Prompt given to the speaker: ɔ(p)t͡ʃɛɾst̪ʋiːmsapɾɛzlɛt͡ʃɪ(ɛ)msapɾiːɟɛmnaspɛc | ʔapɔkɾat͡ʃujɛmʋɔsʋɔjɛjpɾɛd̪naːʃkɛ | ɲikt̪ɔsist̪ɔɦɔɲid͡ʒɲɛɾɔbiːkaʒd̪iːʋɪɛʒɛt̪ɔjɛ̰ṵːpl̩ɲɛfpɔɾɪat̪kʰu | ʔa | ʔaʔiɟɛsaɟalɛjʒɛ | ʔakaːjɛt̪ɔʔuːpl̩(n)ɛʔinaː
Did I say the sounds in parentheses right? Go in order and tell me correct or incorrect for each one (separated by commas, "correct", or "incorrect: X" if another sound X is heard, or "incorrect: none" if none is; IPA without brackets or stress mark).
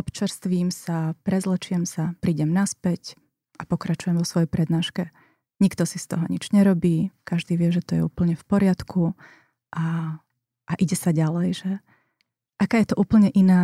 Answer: correct, correct, incorrect: ɲ